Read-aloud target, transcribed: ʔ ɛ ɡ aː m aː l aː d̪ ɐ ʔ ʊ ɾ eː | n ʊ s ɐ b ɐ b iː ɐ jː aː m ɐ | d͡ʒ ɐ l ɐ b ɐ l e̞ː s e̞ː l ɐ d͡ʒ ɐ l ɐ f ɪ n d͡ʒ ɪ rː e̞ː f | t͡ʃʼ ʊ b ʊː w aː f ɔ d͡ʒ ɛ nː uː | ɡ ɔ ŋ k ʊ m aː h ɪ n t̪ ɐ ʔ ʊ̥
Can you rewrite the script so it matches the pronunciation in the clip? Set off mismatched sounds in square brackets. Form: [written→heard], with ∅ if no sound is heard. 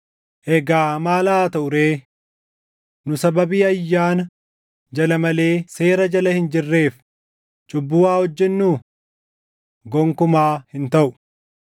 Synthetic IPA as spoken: ʔ ɛ ɡ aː m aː l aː [d̪→t̪] ɐ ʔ ʊ ɾ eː | n ʊ s ɐ b ɐ b iː ɐ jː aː [m→n] ɐ | d͡ʒ ɐ l ɐ [b→m] ɐ l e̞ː s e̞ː [l→ɾ] ɐ d͡ʒ ɐ l ɐ [f→h] ɪ n d͡ʒ ɪ rː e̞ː f | t͡ʃʼ ʊ [b→bː] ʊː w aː [f→h] ɔ [d͡ʒ→d͡ʒː] ɛ nː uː | ɡ ɔ ŋ k ʊ m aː h ɪ n t̪ ɐ ʔ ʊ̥